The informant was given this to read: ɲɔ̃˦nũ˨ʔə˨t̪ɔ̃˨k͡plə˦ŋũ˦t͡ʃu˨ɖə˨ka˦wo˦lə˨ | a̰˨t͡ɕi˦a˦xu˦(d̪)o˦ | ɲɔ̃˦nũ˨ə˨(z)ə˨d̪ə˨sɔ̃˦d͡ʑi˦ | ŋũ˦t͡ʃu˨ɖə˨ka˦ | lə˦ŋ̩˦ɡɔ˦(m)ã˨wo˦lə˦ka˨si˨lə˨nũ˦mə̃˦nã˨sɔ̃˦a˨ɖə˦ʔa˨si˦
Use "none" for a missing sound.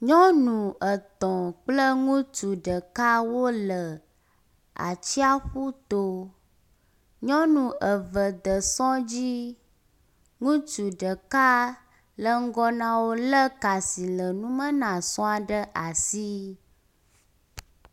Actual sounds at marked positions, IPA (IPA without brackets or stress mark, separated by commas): t̪, v, n